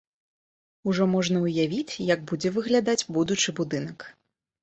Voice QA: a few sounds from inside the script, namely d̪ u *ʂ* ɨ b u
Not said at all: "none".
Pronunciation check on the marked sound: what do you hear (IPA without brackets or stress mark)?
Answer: t͡ʂ